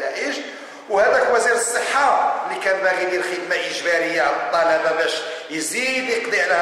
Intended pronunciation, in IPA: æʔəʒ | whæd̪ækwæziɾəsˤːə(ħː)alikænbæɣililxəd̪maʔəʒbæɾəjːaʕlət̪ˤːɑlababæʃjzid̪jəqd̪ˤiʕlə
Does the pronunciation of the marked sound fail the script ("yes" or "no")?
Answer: no